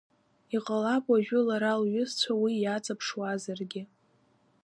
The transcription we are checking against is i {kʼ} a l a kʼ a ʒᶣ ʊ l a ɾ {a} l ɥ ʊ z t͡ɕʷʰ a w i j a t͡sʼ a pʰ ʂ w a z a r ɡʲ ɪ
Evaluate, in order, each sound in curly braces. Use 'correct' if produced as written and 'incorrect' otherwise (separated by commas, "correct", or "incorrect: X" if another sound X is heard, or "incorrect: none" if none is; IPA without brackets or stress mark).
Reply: incorrect: qʼ, correct